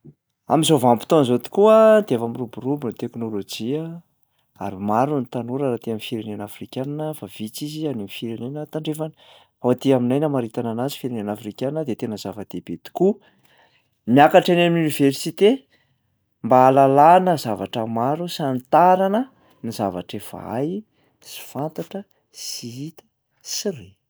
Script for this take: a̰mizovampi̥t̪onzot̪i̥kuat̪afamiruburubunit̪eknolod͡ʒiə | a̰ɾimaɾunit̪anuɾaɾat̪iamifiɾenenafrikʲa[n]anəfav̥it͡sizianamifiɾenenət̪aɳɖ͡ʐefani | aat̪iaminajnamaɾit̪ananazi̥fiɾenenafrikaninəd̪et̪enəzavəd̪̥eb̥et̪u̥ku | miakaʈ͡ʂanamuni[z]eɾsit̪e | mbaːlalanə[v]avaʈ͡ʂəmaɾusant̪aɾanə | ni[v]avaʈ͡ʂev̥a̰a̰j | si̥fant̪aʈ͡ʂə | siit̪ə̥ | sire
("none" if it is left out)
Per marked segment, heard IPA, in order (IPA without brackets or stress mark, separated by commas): n, v, z, z